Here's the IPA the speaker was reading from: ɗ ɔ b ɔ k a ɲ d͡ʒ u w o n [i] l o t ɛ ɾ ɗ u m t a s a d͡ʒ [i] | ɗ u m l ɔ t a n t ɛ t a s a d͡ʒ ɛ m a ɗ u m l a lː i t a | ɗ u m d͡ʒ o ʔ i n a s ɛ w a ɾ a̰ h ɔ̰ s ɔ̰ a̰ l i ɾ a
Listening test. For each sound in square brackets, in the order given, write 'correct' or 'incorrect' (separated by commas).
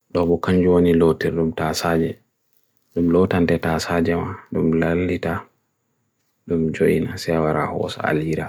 correct, incorrect